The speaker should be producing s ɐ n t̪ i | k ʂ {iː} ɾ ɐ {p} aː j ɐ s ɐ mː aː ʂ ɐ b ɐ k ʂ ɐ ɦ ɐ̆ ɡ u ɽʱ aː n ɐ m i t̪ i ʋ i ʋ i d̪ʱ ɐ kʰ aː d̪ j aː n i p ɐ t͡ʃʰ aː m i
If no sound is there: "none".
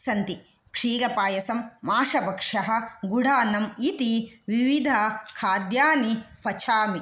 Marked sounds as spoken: iː, p

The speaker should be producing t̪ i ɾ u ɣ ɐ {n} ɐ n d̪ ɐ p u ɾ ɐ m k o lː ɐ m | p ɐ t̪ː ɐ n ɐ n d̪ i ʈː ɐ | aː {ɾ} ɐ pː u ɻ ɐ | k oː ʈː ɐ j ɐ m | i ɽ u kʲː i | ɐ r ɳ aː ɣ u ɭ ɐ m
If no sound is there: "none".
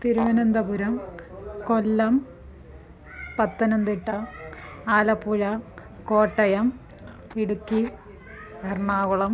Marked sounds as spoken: n, l

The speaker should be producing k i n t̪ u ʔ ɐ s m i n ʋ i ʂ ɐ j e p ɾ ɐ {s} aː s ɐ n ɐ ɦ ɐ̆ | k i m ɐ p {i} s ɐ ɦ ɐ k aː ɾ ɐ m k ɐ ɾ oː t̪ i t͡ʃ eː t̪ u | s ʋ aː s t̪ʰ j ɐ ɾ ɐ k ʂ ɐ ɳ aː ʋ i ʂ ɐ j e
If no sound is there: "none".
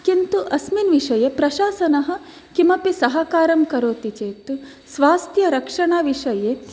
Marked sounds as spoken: ʃ, i

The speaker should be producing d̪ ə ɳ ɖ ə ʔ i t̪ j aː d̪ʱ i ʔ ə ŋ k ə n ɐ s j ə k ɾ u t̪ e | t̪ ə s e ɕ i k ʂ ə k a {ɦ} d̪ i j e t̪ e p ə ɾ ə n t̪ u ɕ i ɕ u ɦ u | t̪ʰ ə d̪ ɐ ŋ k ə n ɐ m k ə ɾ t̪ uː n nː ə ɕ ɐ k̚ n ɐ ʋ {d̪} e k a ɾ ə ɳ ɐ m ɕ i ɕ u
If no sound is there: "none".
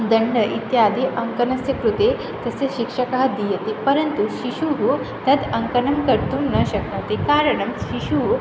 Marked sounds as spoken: ɦ, t̪

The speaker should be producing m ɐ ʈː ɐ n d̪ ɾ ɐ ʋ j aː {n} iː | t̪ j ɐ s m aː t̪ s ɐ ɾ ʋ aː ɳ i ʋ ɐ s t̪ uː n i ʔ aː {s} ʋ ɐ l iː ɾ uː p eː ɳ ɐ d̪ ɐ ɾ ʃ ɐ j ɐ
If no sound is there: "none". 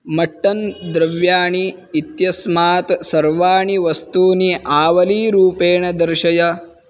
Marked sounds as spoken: ɳ, none

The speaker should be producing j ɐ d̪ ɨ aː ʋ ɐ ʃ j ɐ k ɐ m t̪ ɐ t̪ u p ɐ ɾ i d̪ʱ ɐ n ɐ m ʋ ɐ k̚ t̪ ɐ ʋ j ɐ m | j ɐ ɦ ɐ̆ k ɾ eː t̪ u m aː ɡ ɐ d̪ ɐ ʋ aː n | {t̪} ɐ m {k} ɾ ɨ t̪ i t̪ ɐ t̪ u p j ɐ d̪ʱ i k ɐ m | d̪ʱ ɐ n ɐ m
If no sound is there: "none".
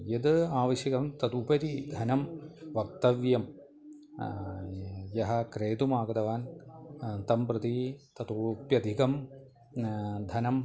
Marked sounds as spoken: t̪, p

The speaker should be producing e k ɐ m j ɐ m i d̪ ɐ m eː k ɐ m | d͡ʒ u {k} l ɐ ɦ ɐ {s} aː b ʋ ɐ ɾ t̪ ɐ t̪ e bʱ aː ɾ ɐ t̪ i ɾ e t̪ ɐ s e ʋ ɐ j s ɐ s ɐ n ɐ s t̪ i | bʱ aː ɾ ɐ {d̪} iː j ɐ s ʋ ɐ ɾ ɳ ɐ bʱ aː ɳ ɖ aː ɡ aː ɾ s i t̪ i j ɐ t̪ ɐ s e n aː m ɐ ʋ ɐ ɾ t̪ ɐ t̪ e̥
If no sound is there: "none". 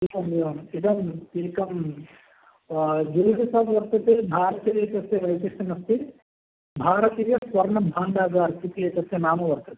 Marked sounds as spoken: none, s, t̪

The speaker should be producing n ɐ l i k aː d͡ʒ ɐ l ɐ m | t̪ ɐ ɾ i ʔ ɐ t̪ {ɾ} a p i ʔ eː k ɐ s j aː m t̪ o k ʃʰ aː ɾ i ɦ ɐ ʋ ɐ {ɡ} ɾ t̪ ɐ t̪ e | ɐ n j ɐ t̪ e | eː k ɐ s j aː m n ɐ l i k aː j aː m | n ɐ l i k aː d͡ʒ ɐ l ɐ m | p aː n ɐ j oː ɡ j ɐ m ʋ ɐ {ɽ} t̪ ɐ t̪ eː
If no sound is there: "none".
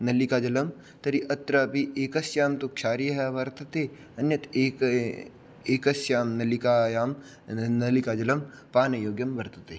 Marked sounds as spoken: ɾ, none, ɾ

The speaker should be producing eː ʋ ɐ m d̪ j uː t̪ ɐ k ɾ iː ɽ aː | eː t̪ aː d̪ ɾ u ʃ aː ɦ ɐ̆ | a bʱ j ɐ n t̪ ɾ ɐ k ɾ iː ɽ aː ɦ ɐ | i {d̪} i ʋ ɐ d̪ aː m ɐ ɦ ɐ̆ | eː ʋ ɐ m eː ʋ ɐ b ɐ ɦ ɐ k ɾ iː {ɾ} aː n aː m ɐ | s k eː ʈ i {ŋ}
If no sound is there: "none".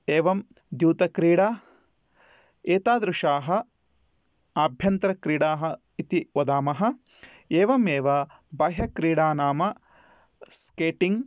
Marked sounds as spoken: t̪, ɽ, ŋ

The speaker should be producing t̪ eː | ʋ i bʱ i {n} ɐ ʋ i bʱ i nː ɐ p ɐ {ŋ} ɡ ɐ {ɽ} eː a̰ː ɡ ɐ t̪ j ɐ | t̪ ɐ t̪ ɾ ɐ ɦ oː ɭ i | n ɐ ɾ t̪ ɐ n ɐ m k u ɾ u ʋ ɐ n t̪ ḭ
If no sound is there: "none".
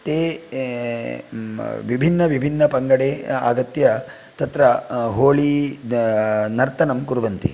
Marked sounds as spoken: nː, ŋ, ɽ

